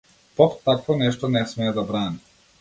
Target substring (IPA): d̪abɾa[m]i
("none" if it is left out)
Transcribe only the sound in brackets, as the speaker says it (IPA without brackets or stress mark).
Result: n